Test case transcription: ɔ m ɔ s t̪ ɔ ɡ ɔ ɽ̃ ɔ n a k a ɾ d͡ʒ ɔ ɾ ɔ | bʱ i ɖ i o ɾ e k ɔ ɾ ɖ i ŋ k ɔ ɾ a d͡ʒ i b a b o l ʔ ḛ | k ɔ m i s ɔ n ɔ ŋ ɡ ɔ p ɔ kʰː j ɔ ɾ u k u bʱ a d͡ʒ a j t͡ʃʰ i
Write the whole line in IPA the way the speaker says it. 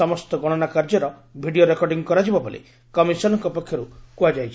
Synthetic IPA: ɔ m ɔ s t̪ ɔ ɡ ɔ ɽ̃ ɔ n a k a ɾ d͡ʒ ɔ ɾ ɔ | bʱ i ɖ i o ɾ e k ɔ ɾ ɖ i ŋ k ɔ ɾ a d͡ʒ i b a b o l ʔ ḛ | k ɔ m i s ɔ n ɔ ŋ k ɔ p ɔ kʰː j ɔ ɾ u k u a d͡ʒ a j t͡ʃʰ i